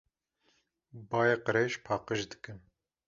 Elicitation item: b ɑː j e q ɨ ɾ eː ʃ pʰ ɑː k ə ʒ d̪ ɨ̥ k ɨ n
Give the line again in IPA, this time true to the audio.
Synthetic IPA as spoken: b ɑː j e q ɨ ɾ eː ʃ pʰ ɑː q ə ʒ d̪ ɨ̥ k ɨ n